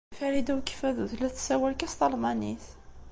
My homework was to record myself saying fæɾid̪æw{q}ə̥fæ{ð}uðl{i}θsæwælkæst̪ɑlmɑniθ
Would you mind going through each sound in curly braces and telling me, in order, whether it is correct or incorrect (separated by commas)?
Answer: incorrect, correct, incorrect